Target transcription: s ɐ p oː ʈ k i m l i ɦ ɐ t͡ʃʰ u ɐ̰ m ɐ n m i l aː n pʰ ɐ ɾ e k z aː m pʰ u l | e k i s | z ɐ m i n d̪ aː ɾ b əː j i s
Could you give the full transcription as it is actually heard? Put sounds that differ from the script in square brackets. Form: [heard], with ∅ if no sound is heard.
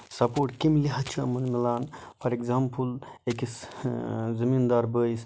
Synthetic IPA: s ɐ p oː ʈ k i m l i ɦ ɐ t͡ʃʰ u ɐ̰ m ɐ n m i l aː n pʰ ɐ ɾ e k z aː m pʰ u l | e k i s | z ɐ m i n d̪ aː ɾ b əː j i s

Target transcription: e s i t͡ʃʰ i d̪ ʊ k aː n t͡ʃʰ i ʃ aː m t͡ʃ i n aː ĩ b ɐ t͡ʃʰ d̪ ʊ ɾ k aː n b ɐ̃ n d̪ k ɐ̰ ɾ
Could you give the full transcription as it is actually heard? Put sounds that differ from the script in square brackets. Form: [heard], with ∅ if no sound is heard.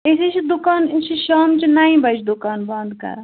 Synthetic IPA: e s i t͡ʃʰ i d̪ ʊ k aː n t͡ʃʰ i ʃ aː m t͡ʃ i n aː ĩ b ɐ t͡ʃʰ d̪ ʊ [∅] k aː n b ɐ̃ n d̪ k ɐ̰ ɾ

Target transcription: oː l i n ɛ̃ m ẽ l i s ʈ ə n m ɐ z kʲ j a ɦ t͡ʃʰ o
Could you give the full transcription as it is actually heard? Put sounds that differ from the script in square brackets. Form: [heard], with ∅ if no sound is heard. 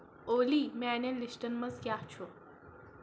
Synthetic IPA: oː l i [m] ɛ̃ [n] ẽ l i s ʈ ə n m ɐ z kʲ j a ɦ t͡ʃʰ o

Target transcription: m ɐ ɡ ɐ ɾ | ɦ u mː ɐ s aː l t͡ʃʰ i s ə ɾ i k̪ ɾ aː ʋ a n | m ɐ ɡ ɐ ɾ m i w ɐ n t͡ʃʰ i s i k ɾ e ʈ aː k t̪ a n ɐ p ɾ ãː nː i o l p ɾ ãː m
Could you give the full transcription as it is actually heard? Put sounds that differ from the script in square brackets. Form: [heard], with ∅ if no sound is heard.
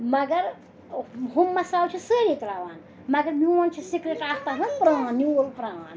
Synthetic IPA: m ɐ ɡ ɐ ɾ | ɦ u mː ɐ s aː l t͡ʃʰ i s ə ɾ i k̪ ɾ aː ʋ a n | m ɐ ɡ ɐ ɾ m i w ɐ n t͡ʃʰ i s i k ɾ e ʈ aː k t̪ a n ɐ p ɾ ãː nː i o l p ɾ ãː [n]

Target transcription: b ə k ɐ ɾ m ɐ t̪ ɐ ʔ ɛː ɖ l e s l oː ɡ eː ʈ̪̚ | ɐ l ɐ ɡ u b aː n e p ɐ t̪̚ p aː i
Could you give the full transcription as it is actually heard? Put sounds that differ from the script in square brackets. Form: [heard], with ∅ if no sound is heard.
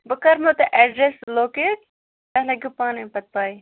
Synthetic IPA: b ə k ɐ ɾ m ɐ t̪ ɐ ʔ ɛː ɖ [ɾ] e s l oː [k] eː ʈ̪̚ | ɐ l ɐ ɡ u [p] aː n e p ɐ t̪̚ p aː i

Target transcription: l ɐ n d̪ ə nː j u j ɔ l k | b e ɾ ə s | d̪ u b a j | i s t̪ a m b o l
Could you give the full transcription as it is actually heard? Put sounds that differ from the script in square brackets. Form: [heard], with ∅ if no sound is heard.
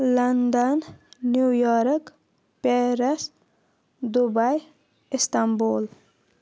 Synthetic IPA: l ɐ n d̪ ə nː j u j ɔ [ɾ] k | [p] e ɾ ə s | d̪ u b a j | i s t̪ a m b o l

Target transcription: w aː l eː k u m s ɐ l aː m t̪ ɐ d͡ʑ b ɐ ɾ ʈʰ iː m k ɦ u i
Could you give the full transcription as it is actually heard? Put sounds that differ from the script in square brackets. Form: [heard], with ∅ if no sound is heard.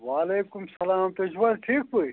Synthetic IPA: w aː l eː k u m s ɐ l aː m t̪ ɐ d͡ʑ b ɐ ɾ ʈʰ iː [∅] k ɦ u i

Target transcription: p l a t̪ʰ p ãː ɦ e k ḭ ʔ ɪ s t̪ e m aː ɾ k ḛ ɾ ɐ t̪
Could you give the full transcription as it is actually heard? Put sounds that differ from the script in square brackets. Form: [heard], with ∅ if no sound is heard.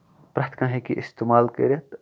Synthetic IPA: p [ɾ] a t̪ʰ [k] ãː ɦ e k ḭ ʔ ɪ s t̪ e m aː [l] k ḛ ɾ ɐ t̪

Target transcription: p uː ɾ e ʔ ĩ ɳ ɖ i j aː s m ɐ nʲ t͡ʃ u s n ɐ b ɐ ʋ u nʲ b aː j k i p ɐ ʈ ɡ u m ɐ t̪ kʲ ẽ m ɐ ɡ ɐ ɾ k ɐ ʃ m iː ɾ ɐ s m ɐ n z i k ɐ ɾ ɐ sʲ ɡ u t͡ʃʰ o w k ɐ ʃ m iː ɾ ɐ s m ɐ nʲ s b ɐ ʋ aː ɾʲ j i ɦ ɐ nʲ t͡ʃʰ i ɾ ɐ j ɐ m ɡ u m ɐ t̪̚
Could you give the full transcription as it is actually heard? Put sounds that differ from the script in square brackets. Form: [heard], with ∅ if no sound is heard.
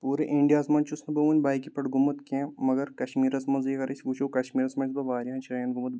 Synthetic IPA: p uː ɾ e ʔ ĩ ɳ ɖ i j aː s m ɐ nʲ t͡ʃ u s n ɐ b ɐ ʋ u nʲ b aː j k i p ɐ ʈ ɡ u m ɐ t̪ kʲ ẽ m ɐ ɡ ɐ ɾ k ɐ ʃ m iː ɾ ɐ s m ɐ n z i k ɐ ɾ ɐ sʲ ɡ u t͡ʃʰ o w k ɐ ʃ m iː ɾ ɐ s m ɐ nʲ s b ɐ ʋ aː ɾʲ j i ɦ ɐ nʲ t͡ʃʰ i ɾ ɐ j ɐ [n] ɡ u m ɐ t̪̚

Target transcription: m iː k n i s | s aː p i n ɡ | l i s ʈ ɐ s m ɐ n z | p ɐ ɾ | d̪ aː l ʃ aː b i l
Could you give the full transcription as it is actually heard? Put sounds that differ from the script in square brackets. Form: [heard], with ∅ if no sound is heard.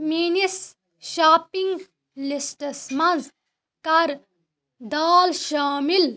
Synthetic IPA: m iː [∅] n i s | [ʃ] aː p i [ŋ] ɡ | l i s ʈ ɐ s m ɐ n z | [k] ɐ ɾ | d̪ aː l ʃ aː [m] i l

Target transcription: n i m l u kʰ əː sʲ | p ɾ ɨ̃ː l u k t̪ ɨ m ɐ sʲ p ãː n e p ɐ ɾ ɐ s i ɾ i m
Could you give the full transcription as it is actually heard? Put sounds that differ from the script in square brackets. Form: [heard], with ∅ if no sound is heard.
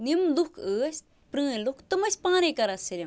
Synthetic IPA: n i m l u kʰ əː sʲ | p ɾ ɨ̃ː l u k t̪ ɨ m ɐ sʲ p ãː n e [k] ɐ ɾ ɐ s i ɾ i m

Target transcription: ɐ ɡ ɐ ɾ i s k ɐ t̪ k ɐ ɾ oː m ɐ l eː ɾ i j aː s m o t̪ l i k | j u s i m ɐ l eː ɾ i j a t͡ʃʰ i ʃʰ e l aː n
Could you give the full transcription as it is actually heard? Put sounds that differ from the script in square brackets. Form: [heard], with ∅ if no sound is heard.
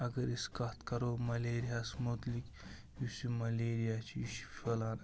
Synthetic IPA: ɐ ɡ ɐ ɾ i s k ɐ t̪ k ɐ ɾ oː m ɐ l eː ɾ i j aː s m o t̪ l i k | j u s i m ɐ l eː ɾ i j a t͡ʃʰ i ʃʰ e l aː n

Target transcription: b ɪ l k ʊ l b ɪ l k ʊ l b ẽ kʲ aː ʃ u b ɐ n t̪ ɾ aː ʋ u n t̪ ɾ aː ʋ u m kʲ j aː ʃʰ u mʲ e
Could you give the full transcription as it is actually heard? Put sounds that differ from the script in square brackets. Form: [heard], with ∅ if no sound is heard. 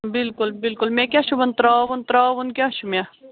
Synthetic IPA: b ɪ l k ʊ l b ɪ l k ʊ l [m] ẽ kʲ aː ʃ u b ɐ n t̪ ɾ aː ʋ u n t̪ ɾ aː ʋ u [n] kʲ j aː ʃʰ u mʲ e

